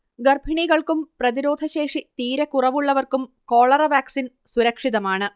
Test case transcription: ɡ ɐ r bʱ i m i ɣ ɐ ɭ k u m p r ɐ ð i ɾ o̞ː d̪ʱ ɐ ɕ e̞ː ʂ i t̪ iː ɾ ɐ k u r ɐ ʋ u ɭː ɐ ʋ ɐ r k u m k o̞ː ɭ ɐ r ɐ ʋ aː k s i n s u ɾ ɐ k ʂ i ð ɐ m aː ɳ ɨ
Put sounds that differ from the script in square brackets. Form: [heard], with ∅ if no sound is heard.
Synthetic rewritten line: ɡ ɐ r bʱ i [ɳ] i ɣ ɐ ɭ k u m p r ɐ ð i ɾ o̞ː d̪ʱ ɐ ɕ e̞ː ʂ i t̪ iː ɾ ɐ k u r ɐ ʋ u ɭː ɐ ʋ ɐ r k u m k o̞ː ɭ ɐ r ɐ ʋ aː k s i n s u ɾ ɐ k ʂ i ð ɐ m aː ɳ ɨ

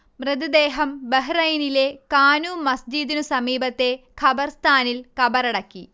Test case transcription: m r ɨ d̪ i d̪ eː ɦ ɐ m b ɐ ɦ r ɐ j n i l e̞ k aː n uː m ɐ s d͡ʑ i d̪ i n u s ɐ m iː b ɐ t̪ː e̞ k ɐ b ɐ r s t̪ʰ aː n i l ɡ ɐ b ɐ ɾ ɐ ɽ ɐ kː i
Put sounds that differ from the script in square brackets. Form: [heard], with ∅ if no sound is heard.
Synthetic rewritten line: m r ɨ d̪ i d̪ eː ɦ ɐ m b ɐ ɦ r ɐ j n i l e̞ k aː n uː m ɐ s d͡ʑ i d̪ i n u s ɐ m iː b ɐ t̪ː e̞ [kʰ] ɐ b ɐ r s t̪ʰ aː n i l [k] ɐ b ɐ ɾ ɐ ɽ ɐ kː i

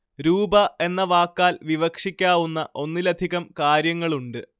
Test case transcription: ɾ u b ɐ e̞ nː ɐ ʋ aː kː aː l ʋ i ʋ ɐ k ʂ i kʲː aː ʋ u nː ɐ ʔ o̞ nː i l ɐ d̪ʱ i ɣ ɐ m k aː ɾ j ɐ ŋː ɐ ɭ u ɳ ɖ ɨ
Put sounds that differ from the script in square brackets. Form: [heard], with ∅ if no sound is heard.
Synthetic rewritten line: ɾ [uː] b ɐ e̞ nː ɐ ʋ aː kː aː l ʋ i ʋ ɐ k ʂ i kʲː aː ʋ u nː ɐ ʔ o̞ nː i l ɐ d̪ʱ i ɣ ɐ m k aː ɾ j ɐ ŋː ɐ ɭ u ɳ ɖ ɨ

